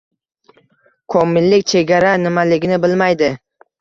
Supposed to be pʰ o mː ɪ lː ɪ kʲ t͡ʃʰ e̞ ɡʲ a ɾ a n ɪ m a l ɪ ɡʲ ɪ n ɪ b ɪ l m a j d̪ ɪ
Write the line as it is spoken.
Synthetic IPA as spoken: kʰ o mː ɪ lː ɪ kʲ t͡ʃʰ e̞ ɡʲ a ɾ a n ɪ m a l ɪ ɡʲ ɪ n ɪ b ɪ l m a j d̪ ɪ